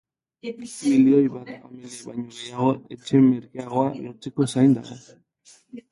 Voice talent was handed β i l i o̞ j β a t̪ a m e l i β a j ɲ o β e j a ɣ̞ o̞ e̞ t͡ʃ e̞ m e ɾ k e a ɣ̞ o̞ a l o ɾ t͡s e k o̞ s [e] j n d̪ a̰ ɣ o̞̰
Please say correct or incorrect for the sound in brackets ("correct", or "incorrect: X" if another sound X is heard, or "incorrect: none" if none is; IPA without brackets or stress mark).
incorrect: a